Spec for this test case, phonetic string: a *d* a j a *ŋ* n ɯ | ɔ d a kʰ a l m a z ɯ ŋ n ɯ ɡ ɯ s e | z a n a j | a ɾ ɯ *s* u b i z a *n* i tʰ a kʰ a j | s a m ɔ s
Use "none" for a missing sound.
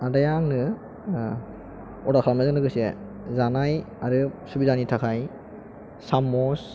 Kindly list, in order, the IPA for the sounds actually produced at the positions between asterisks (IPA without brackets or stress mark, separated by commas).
d, ŋ, s, n